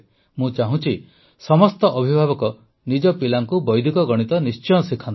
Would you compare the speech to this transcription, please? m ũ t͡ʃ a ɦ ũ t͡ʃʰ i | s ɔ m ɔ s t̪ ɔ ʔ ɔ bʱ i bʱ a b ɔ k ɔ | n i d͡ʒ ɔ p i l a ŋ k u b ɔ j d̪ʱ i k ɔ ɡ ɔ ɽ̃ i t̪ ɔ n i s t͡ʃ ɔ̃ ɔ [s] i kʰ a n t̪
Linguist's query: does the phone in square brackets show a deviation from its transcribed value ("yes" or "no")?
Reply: no